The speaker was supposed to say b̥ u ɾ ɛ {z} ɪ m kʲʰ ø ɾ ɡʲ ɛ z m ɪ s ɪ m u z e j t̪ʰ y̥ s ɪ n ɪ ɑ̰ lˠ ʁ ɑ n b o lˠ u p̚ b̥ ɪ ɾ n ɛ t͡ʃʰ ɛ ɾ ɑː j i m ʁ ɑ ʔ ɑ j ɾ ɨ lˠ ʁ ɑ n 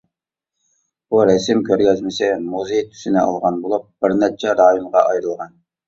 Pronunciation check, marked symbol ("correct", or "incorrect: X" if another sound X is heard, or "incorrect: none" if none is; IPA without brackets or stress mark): incorrect: s